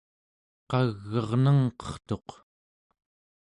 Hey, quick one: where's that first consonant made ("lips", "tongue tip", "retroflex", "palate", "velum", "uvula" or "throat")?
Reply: uvula